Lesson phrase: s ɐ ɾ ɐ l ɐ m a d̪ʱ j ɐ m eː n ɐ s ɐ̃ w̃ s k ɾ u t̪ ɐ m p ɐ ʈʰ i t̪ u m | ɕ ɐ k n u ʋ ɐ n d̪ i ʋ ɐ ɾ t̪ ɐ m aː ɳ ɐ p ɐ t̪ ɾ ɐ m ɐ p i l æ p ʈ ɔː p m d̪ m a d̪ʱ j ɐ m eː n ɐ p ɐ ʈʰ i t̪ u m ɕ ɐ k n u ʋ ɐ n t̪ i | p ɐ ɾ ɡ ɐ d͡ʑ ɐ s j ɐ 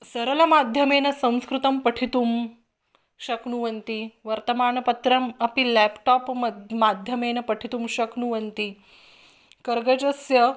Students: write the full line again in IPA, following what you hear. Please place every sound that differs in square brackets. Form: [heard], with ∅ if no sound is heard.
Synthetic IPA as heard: s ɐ ɾ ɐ l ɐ m a d̪ʱ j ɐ m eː n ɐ s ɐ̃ w̃ s k ɾ u t̪ ɐ m p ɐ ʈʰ i t̪ u m | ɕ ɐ k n u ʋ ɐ n [t̪] i ʋ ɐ ɾ t̪ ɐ m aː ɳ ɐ p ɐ t̪ ɾ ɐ m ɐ p i l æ p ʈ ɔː p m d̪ m a d̪ʱ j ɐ m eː n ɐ p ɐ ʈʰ i t̪ u m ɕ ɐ k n u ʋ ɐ n t̪ i | [k] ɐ ɾ ɡ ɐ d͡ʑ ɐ s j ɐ